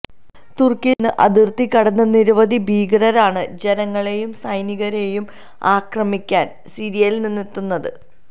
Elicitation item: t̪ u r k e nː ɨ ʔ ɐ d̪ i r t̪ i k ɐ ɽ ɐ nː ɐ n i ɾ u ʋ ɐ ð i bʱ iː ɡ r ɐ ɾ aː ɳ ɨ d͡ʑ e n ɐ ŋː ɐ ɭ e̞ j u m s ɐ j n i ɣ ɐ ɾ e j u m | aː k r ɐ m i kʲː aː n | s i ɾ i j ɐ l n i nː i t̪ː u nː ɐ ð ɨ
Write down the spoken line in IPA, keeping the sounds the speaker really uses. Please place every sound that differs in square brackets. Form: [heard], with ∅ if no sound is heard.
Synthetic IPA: t̪ u r k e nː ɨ ʔ ɐ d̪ i r t̪ i k ɐ ɽ ɐ nː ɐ n i ɾ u ʋ ɐ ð i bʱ iː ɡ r ɐ ɾ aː ɳ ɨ d͡ʑ e n ɐ ŋː ɐ ɭ e̞ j u m s ɐ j n i ɣ ɐ ɾ e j u m | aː k r ɐ m i kʲː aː n | s i ɾ i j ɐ l n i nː i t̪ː u nː ɐ ð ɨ